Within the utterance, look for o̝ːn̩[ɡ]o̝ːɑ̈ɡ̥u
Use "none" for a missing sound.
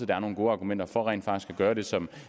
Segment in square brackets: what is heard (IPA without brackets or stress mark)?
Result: ɡ